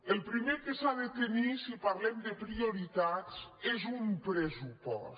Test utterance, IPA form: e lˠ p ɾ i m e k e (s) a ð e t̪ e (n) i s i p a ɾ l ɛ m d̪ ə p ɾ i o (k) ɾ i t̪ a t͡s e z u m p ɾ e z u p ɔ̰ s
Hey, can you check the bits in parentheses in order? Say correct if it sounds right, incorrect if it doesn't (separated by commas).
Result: correct, correct, incorrect